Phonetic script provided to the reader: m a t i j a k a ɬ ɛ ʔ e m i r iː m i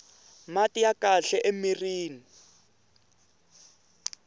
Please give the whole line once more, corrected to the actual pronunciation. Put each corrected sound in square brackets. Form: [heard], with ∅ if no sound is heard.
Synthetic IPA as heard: m a t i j a k a ɬ ɛ ʔ e m i r iː [n] i